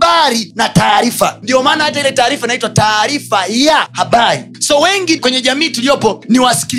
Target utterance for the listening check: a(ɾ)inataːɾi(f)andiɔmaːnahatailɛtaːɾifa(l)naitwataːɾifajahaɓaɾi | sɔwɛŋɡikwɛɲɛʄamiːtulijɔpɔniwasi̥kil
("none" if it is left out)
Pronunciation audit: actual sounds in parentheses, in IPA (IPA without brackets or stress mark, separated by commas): ɾ, f, none